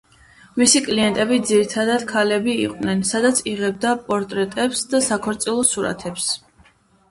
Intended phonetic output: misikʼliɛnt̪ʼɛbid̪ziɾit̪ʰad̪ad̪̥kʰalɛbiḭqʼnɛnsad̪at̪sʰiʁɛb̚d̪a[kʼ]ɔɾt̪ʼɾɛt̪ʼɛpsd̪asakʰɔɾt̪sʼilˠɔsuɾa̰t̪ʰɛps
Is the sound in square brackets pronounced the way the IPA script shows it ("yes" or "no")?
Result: no